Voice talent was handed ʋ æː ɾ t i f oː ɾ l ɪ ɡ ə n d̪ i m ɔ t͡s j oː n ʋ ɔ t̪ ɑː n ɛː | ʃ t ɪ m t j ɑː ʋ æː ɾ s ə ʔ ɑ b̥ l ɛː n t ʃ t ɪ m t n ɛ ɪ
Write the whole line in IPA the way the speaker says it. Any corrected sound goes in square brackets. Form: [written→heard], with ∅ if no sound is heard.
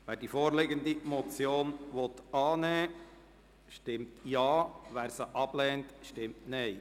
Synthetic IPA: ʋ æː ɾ [t→d] i f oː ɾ l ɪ ɡ ə n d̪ i m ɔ t͡s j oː n ʋ ɔ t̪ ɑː n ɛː | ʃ t ɪ m t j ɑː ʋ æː ɾ s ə ʔ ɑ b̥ l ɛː n t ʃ t ɪ m t n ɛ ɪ

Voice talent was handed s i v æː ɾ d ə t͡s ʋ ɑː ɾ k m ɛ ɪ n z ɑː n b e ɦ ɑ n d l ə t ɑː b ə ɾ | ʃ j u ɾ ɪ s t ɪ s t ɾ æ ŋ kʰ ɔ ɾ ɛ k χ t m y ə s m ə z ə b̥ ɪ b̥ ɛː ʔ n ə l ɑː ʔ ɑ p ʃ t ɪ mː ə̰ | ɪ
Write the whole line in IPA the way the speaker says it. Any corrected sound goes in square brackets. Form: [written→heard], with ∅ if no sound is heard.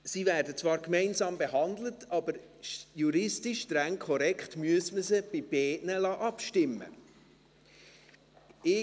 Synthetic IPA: s i v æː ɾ d ə t͡s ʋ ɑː ɾ k m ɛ ɪ n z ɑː [n→m] b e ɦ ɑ n d l ə t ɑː b ə ɾ | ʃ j u ɾ ɪ s t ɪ [s→ʃ] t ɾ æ ŋ kʰ ɔ ɾ ɛ k χ t m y ə s m ə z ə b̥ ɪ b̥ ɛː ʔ n ə l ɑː ʔ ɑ p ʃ t ɪ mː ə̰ | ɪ

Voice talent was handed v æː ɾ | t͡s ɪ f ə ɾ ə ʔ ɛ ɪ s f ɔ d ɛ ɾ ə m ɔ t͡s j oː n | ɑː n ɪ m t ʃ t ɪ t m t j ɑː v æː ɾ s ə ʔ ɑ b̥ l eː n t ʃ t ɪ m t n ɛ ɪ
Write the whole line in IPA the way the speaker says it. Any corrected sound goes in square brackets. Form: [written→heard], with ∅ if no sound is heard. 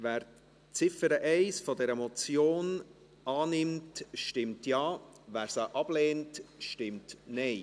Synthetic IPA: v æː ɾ | t͡s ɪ f ə ɾ ə ʔ ɛ ɪ s f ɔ d ɛ ɾ ə m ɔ t͡s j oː n | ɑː n ɪ m t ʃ t ɪ [t→∅] m t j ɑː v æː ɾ s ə ʔ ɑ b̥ l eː n t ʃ t ɪ m t n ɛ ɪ

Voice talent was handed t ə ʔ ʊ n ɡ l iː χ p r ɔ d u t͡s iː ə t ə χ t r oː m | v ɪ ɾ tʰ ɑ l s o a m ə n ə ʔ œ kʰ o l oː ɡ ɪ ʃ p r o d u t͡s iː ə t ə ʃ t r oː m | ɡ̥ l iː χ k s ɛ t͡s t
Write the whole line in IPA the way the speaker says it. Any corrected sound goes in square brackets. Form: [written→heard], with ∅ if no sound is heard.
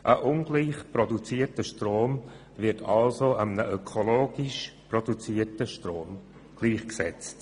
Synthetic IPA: [t→ʔ] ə ʔ ʊ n ɡ l iː χ p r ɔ d u t͡s iː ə t ə [χ→ʃ] t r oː m | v ɪ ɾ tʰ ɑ l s o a m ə n ə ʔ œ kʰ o l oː ɡ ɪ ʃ p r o d u t͡s iː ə t ə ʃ t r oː m | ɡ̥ l iː χ k s ɛ t͡s t

